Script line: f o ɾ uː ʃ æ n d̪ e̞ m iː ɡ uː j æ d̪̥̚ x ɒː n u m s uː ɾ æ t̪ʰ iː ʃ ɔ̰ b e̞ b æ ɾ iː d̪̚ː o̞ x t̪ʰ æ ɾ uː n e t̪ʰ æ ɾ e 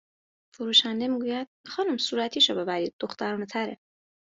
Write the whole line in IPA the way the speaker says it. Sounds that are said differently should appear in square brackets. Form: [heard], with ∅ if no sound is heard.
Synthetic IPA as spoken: f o ɾ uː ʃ æ n d̪ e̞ m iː ɡ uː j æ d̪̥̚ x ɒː n u m s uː ɾ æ t̪ʰ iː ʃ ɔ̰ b e̞ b æ ɾ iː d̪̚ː o̞ x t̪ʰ æ ɾ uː n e t̪ʰ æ ɾ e